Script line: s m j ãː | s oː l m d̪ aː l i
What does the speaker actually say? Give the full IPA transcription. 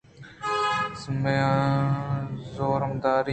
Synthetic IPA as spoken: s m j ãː | z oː ɾ m d̪ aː ɾ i

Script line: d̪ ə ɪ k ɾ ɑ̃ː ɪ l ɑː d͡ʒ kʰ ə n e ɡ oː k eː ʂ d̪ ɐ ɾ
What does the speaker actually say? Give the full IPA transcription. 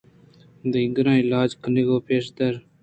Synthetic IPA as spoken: d̪ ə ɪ ɡ ɾ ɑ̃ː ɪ l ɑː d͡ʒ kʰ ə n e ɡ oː p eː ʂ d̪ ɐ ɾ

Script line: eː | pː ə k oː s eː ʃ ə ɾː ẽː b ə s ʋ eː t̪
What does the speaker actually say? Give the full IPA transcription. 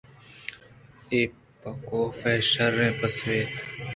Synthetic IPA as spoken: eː | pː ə k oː f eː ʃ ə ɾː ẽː p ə s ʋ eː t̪

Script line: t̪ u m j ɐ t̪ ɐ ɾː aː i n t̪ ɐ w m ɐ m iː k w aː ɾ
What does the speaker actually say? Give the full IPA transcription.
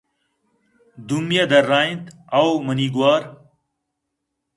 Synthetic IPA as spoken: d̪ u m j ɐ d̪ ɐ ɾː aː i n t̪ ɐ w m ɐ n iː ɡ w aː ɾ

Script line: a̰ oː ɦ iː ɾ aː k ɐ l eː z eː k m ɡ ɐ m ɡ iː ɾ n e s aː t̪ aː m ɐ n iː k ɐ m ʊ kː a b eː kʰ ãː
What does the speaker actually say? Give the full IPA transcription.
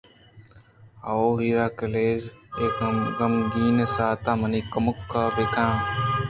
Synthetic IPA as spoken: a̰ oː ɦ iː ɾ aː k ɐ l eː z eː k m ɡ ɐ m ɡ iː n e s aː t̪ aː m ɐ n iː k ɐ m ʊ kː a b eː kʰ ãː

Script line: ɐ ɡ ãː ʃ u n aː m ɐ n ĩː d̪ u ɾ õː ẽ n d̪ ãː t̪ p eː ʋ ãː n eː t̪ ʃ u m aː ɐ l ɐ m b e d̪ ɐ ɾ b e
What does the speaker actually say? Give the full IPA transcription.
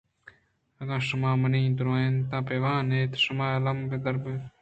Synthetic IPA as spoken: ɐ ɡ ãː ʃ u m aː m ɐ n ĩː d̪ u ɾ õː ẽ n t̪ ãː p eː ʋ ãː n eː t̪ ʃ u m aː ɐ l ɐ m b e d̪ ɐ ɾ b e

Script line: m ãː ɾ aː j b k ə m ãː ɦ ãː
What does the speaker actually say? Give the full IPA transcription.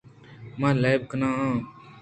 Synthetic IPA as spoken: m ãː l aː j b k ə n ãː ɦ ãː

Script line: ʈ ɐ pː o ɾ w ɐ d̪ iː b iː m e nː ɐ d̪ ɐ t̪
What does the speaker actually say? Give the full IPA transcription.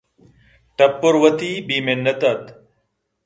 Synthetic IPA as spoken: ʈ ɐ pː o ɾ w ɐ t̪ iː b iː m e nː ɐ t̪ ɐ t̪

